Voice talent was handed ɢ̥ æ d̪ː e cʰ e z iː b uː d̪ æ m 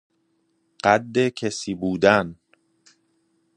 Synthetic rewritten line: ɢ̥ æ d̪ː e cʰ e s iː b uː d̪ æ n